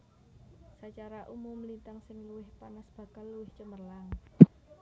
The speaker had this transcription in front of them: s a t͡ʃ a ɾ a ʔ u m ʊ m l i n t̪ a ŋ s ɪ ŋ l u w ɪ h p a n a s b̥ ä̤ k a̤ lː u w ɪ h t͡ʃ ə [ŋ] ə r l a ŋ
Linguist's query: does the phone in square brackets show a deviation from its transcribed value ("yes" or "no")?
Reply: yes